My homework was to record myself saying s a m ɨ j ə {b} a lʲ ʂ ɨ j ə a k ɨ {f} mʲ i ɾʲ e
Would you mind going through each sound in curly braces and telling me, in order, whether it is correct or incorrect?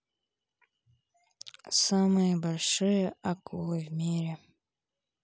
correct, incorrect: v

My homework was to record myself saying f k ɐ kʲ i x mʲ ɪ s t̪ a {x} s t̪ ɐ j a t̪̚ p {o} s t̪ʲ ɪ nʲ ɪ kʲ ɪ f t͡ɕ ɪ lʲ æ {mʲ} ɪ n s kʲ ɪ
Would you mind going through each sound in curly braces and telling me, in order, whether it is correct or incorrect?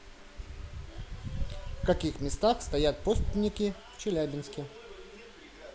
correct, correct, incorrect: bʲ

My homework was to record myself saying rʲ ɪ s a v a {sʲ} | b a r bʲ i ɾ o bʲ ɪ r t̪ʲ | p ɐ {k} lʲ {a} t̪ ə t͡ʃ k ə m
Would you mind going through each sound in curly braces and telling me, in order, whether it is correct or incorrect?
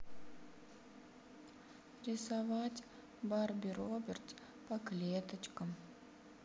incorrect: tʲ, correct, incorrect: e

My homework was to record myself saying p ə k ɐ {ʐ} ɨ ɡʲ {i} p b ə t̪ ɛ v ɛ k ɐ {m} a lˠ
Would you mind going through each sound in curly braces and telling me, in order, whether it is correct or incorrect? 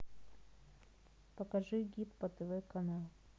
correct, correct, incorrect: n

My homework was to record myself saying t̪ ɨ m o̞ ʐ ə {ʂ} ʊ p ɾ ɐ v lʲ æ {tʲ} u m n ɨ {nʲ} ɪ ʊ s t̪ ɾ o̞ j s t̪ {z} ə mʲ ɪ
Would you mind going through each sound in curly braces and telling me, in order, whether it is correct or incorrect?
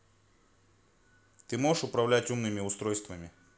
correct, correct, incorrect: mʲ, incorrect: v

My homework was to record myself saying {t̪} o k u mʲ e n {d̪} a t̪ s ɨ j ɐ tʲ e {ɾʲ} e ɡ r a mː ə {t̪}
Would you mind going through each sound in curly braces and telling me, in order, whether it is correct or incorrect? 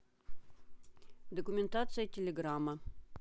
incorrect: d̪, incorrect: t̪, incorrect: lʲ, incorrect: none

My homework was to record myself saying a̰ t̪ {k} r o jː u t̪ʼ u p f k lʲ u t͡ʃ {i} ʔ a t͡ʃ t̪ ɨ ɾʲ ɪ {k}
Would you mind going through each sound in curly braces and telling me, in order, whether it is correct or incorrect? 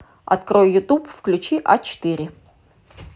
correct, correct, incorrect: none

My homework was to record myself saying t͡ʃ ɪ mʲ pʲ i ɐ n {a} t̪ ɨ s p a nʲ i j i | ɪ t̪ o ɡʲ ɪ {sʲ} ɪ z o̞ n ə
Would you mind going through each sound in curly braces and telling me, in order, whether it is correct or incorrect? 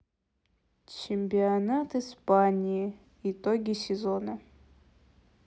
correct, correct

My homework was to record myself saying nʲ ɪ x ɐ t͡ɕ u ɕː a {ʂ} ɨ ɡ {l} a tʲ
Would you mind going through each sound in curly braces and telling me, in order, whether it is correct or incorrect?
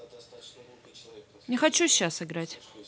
incorrect: s, incorrect: ɾ

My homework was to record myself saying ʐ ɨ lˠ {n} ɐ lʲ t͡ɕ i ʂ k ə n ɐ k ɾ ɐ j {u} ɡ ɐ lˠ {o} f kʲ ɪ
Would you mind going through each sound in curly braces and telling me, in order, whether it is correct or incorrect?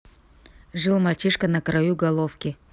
incorrect: m, correct, correct

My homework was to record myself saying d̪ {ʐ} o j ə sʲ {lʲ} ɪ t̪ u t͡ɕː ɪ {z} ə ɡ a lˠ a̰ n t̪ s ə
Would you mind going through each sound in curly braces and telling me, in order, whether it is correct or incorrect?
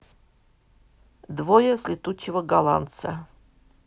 incorrect: v, correct, incorrect: v

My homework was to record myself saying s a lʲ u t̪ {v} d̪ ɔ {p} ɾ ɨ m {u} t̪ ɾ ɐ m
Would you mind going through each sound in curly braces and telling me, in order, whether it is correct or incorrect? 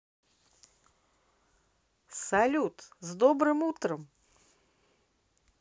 incorrect: z, incorrect: b, correct

